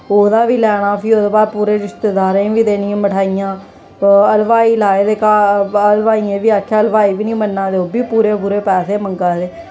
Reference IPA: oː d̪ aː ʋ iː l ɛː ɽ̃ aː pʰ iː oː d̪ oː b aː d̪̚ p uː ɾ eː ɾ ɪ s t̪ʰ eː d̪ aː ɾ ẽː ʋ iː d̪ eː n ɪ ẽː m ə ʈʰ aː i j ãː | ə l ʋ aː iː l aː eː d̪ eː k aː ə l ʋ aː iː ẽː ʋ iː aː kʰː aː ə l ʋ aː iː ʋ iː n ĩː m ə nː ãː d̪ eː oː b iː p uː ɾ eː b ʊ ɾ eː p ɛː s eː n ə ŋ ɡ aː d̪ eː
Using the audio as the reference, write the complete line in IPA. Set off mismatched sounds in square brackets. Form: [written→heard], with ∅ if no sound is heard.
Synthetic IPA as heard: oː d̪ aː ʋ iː l ɛː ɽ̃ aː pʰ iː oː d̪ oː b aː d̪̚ p uː ɾ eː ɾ ɪ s [t̪ʰ→t̪] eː d̪ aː ɾ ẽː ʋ iː d̪ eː n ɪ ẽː m ə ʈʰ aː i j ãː | ə l ʋ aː iː l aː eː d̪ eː k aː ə l ʋ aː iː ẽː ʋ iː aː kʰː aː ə l ʋ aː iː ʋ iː n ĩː m ə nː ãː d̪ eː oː b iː p uː ɾ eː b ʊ ɾ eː p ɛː s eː [n→m] ə ŋ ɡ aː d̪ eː